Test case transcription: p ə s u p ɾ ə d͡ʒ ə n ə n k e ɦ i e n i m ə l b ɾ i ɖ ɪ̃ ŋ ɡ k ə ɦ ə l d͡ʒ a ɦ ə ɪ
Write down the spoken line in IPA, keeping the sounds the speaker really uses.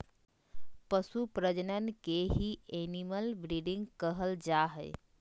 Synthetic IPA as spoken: p ə s u p ɾ ə d͡ʒ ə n ə n k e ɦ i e n i m ə l b ɾ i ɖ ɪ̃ ŋ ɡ k ə ɦ ə l d͡ʒ a ɦ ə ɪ

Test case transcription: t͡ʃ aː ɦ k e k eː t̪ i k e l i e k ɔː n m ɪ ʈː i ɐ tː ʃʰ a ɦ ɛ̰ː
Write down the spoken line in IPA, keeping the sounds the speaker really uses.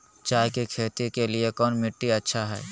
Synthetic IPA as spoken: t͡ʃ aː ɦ k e kʰ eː t̪ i k e l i e k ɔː n m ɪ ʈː i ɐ tː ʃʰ a ɦ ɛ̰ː

